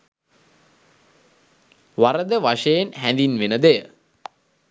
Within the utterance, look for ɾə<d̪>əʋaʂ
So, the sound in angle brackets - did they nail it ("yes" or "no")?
yes